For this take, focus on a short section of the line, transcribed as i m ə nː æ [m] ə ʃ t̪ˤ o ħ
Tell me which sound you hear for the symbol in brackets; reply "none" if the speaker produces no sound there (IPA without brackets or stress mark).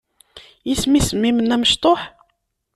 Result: m